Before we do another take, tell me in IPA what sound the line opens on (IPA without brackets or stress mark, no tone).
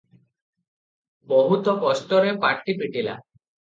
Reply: b